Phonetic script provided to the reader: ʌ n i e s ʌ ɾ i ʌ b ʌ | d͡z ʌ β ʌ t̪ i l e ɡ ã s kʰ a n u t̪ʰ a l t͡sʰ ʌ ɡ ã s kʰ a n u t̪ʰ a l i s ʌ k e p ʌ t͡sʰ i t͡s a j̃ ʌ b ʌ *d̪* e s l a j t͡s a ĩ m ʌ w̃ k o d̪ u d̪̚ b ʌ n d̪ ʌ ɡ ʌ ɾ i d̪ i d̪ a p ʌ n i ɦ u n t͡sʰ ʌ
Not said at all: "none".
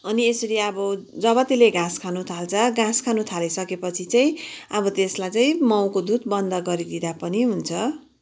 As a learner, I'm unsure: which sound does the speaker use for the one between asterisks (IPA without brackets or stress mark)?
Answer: t̪